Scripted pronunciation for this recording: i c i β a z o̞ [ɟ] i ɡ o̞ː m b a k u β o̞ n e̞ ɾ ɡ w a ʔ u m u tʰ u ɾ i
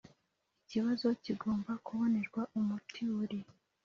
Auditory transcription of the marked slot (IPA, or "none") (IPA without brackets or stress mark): c